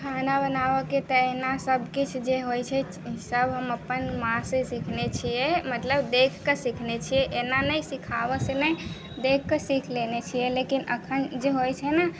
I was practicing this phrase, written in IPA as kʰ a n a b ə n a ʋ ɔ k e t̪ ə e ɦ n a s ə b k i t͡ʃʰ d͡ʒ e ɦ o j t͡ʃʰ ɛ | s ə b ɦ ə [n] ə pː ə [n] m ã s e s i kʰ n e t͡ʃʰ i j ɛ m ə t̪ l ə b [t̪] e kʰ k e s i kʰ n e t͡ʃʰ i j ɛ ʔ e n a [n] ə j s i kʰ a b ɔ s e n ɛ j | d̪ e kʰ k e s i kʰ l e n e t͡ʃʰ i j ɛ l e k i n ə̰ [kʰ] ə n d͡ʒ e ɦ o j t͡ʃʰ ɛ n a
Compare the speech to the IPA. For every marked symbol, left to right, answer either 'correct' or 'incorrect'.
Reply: incorrect, correct, incorrect, correct, correct

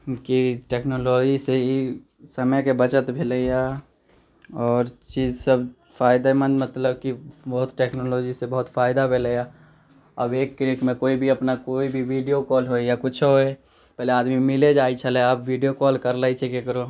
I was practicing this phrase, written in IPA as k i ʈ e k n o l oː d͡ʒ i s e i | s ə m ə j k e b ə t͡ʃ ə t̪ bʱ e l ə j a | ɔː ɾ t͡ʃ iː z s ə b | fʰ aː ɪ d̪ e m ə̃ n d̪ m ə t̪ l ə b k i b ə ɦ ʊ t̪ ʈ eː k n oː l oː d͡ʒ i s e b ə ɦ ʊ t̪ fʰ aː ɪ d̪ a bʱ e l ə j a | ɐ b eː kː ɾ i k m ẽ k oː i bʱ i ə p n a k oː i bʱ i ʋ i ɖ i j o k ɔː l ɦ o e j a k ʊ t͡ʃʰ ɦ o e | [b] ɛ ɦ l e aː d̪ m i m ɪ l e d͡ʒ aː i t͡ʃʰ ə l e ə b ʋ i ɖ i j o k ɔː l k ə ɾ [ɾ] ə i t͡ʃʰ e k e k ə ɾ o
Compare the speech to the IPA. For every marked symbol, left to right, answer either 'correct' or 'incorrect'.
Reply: incorrect, incorrect

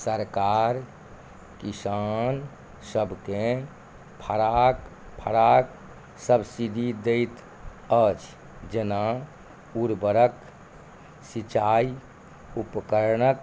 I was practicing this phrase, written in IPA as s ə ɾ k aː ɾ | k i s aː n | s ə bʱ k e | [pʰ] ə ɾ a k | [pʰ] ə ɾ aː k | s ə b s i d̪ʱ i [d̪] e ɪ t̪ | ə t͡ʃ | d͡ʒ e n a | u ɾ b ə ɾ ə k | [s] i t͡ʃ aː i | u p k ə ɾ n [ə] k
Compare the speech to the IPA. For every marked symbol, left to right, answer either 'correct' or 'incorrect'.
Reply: correct, correct, correct, correct, correct

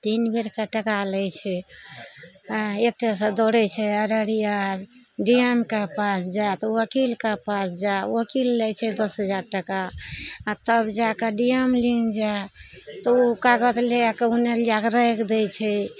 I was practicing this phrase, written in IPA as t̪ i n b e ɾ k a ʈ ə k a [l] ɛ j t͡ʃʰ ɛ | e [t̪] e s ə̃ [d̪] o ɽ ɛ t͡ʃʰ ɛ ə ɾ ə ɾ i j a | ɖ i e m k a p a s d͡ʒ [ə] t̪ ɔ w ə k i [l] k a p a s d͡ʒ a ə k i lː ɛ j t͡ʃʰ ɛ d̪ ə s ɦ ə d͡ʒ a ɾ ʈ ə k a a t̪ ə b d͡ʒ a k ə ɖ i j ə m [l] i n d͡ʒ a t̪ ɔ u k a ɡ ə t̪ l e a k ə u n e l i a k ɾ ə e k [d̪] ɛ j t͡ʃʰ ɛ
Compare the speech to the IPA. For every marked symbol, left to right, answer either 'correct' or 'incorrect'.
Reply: correct, correct, correct, incorrect, correct, correct, correct

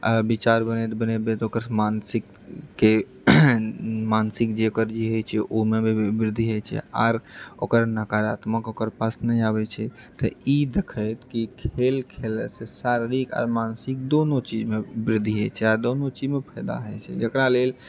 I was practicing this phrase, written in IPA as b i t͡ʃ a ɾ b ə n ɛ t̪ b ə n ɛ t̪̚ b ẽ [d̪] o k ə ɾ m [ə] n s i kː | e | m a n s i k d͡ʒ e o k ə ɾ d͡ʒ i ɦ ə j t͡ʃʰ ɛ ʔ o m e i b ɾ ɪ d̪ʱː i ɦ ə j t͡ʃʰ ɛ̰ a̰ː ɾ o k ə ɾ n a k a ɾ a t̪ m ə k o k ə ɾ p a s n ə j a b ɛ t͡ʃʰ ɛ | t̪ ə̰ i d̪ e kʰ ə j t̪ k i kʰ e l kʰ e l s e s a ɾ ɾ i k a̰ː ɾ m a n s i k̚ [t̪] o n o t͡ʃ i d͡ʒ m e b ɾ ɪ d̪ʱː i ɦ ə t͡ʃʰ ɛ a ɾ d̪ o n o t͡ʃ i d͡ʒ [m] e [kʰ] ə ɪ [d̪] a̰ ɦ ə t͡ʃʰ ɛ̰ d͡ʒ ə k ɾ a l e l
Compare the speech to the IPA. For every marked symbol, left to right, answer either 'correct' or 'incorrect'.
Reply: incorrect, incorrect, incorrect, correct, incorrect, correct

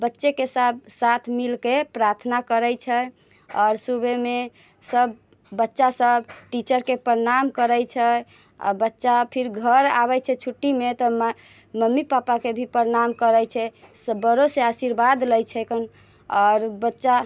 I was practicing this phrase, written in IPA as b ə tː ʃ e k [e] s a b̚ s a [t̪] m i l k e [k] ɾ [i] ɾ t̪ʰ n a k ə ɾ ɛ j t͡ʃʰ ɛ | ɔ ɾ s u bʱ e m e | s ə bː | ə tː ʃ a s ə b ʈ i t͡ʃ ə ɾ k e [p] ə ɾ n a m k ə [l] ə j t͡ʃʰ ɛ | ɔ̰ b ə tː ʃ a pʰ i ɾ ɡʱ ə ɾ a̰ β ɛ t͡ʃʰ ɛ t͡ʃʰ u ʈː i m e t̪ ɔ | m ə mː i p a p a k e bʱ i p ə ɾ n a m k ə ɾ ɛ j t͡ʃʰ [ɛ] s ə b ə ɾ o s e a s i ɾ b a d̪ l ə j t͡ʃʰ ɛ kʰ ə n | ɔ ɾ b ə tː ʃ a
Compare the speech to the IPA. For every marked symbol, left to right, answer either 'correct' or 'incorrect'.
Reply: correct, incorrect, incorrect, incorrect, correct, incorrect, correct

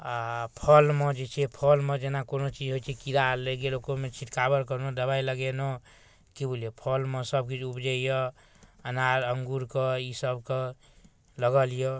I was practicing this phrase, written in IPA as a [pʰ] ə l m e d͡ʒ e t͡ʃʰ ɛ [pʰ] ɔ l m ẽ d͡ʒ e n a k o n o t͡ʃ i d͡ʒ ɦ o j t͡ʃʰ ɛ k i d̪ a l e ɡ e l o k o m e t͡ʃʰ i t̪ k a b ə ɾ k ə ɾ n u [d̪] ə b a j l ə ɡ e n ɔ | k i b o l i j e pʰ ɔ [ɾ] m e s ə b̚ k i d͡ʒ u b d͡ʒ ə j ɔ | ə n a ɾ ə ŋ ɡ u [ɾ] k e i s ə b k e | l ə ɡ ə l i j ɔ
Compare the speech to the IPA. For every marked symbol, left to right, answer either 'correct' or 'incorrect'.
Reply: correct, correct, correct, incorrect, correct

